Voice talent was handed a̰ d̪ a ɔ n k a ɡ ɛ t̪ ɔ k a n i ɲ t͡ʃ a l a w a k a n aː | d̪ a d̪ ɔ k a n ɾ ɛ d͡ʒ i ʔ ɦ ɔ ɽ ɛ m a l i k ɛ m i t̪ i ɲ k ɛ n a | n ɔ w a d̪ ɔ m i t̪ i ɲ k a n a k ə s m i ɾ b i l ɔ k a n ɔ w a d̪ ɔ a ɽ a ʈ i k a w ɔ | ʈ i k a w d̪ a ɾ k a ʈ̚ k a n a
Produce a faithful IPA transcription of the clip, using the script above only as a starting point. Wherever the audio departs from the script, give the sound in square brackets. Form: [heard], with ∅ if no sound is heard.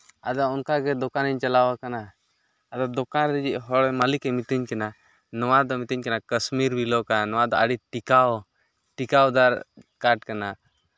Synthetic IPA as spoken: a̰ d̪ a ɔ n k a ɡ ɛ [d̪] ɔ k a n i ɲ t͡ʃ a l a w a k a n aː | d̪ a d̪ ɔ k a n ɾ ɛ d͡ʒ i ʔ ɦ ɔ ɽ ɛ m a l i k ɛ m i t̪ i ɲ k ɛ n a | n ɔ w a d̪ ɔ m i t̪ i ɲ k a n a k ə s m i ɾ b i l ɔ k a n ɔ w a d̪ ɔ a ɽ [i] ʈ i k a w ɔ | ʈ i k a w d̪ a ɾ k a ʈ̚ k a n a

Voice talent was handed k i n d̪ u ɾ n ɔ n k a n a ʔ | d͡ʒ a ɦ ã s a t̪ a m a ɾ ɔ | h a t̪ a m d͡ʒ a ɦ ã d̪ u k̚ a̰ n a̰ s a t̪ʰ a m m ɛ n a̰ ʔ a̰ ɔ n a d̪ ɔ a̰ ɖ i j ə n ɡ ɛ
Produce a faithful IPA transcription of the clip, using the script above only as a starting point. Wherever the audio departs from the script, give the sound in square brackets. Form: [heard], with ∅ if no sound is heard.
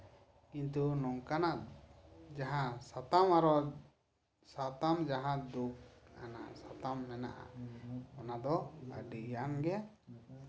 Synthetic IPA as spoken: k i n [t̪] u [∅] n ɔ [ŋ] k a n a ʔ | d͡ʒ a ɦ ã s a t̪ a m a ɾ ɔ | [s] a t̪ a m d͡ʒ a ɦ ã d̪ u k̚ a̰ n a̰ s a [t̪] a m [n] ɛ n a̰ ʔ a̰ ɔ n a d̪ ɔ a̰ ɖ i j [a] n ɡ ɛ

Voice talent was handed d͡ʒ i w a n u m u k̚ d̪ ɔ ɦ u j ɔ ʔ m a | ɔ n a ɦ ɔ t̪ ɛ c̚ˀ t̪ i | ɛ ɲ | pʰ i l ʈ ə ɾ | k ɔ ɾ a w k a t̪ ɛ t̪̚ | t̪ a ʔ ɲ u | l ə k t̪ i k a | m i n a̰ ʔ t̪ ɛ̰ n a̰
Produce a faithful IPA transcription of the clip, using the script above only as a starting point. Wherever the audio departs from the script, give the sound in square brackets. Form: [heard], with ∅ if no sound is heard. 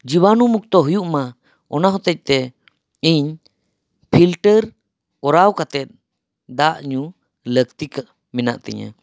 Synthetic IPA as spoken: d͡ʒ i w a n u m u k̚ [t̪] ɔ ɦ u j [u] ʔ m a | ɔ n a ɦ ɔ t̪ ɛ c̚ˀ t̪ [ɛ] | [i] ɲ | pʰ i l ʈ ə ɾ | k ɔ ɾ a w k a t̪ ɛ t̪̚ | [d̪] a ʔ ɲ u | l ə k t̪ i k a | m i n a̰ ʔ t̪ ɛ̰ [ɲ] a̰

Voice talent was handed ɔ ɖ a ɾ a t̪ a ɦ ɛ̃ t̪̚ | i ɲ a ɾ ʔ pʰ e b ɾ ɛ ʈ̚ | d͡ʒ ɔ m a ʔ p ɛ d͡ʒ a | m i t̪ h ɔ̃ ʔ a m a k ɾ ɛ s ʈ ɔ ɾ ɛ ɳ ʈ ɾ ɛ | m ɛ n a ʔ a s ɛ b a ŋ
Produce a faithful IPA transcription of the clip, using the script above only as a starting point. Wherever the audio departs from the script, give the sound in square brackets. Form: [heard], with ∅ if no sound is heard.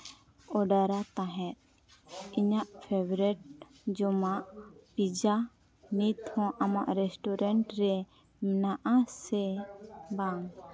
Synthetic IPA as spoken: ɔ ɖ a ɾ a t̪ a ɦ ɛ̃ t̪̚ | i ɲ a [∅] ʔ pʰ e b ɾ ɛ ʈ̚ | d͡ʒ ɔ m a ʔ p [i] d͡ʒ a | [n] i t̪ h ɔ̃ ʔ a m a [ʔ] ɾ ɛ s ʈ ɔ ɾ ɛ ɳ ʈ ɾ ɛ | m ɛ n a ʔ a s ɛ b a ŋ

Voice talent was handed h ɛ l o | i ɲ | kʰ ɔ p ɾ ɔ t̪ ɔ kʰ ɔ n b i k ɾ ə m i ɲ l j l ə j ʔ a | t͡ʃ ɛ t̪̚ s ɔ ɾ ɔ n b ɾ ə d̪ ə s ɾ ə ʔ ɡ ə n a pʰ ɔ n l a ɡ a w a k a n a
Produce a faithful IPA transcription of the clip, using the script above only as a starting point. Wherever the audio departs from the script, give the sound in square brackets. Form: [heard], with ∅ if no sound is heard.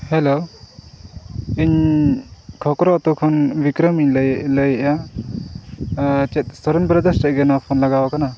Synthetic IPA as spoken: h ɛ l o | i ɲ | kʰ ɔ [k] ɾ ɔ t̪ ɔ kʰ ɔ n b i k ɾ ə m i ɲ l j l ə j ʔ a | t͡ʃ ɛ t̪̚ s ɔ ɾ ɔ n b ɾ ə d̪ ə s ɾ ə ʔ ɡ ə n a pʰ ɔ n l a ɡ a w a k a n a

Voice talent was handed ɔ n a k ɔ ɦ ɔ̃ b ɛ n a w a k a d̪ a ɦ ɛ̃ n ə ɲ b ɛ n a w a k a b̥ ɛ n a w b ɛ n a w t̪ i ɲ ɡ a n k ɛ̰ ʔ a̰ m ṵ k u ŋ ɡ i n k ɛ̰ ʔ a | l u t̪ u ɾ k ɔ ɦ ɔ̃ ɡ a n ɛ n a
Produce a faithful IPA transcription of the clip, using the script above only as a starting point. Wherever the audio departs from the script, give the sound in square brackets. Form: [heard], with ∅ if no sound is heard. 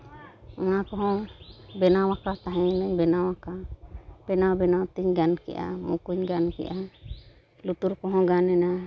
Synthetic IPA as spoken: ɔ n a k ɔ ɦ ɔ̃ b ɛ n a w a k a [t̪] a ɦ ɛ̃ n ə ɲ b ɛ n a w a k a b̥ ɛ n a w b ɛ n a w t̪ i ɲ ɡ a n k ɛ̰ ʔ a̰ m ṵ k u [ɲ] ɡ [a] n k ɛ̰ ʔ a | l u t̪ u ɾ k ɔ ɦ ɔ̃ ɡ a n ɛ n a

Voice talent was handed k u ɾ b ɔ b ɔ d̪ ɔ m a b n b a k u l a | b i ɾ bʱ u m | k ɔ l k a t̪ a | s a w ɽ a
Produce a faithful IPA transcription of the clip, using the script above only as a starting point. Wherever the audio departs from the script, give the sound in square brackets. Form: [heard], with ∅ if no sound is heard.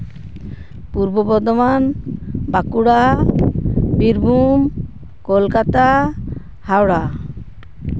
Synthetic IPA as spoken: [p] u ɾ b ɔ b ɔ d̪ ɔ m a [∅] n b a k u [ɽ] a | b i ɾ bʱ u m | k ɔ l k a t̪ a | [h] a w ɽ a

